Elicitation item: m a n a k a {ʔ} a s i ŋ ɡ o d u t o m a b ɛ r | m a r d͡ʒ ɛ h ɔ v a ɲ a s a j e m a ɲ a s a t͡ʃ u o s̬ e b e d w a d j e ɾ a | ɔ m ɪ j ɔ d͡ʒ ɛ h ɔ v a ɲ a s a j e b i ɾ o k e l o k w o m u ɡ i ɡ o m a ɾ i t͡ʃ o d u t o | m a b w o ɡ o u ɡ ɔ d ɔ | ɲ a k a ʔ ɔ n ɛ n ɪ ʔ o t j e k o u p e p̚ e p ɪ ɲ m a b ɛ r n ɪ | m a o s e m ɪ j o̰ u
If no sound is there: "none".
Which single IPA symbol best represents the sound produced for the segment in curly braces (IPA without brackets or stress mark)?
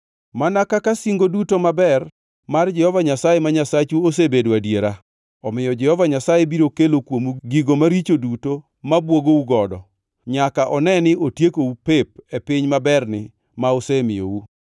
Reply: k